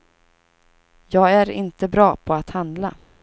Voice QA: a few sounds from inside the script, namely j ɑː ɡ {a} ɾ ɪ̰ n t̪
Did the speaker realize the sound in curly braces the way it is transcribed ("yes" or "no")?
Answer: no